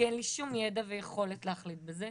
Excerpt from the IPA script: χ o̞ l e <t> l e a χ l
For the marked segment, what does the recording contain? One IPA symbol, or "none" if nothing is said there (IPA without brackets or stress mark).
t